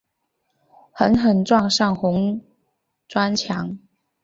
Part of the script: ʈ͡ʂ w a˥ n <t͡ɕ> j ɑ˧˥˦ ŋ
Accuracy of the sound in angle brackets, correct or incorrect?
incorrect